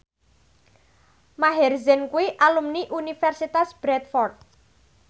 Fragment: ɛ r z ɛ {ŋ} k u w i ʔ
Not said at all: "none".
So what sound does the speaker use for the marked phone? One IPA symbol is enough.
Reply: n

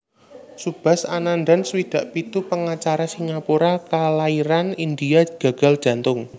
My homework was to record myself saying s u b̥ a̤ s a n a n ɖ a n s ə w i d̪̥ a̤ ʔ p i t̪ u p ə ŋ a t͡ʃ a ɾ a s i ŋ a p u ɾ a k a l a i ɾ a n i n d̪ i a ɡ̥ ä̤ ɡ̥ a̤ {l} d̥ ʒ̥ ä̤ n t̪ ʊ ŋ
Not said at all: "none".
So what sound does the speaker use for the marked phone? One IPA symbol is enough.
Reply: l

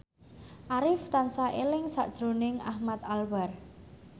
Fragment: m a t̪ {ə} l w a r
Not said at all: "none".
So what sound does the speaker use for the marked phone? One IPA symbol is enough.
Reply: a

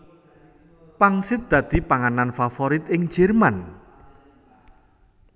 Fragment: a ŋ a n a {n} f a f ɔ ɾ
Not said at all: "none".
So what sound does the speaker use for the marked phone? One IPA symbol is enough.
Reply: n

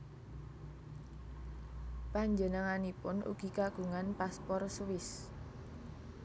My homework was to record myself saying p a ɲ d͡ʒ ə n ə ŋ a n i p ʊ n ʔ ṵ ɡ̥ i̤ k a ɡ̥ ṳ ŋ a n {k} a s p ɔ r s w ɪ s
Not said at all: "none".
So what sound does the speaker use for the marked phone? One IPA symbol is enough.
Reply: p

